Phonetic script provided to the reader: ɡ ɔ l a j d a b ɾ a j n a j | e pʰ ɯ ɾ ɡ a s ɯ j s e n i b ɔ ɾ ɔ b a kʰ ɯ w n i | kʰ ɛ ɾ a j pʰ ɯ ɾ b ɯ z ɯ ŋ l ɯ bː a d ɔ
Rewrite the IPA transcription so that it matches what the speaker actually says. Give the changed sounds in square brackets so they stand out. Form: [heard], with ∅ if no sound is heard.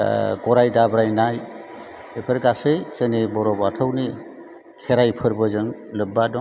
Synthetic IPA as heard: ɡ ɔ [ɾ] a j d a b ɾ a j n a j | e pʰ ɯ ɾ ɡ a s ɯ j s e n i b ɔ ɾ ɔ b a [tʰ] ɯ w n i | kʰ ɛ ɾ a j pʰ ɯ ɾ b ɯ z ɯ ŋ l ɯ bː a d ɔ